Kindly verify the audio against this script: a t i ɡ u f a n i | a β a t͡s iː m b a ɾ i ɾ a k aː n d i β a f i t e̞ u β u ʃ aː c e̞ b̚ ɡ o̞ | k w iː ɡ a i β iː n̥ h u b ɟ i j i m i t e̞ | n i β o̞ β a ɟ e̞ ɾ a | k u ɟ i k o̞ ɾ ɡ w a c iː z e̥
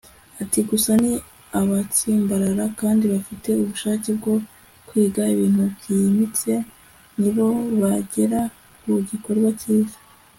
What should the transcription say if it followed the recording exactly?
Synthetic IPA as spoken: a t i ɡ u s a n i | a β a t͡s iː m b a ɾ a ɾ a k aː n d i β a f i t e̞ u β u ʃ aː c e̞ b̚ ɡ o̞ | k w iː ɡ a i β iː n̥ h u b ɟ i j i m i t͡s e̞ | n i β o̞ β a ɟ e̞ ɾ a | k u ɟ i k o̞ ɾ ɡ w a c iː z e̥